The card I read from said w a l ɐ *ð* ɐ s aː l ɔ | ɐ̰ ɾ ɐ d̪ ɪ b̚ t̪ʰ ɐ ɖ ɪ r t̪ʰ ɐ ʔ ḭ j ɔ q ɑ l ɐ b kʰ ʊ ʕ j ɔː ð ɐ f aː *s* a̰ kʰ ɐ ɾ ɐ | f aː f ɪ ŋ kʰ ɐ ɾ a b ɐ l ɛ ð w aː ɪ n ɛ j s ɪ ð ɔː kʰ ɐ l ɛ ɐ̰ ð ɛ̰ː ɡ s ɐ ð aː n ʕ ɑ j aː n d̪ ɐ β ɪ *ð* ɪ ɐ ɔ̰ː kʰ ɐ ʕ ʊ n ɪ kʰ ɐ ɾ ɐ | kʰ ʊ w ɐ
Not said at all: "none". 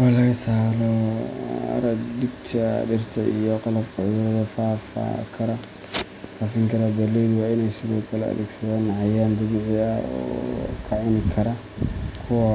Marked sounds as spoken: ɣ, f, ʕ

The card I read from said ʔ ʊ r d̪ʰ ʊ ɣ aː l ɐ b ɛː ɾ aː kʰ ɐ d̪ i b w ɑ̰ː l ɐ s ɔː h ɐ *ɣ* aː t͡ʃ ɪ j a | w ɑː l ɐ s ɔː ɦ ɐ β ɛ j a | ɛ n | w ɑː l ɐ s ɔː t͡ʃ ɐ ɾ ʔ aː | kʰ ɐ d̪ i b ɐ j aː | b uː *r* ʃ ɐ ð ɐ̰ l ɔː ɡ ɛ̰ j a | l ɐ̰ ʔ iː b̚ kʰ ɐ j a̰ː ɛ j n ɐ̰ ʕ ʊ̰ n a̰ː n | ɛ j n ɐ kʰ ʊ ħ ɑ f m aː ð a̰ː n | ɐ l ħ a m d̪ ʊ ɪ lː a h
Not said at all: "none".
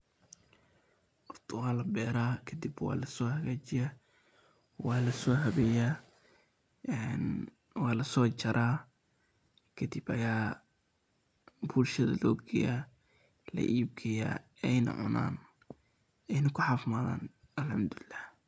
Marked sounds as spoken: ɣ, l

